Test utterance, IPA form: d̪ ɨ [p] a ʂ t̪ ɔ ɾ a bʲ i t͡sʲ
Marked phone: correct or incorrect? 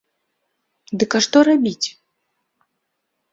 incorrect